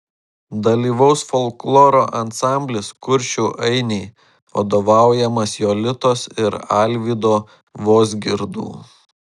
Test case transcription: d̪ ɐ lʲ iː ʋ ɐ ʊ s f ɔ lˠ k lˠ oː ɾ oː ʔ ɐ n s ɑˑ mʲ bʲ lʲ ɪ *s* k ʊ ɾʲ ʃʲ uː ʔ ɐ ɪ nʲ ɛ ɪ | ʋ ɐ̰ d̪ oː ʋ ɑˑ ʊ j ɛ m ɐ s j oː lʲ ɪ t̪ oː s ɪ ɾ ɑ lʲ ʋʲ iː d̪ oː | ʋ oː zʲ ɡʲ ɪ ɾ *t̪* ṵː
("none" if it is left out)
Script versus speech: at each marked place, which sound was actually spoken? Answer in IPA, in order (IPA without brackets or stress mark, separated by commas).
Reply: s, d̪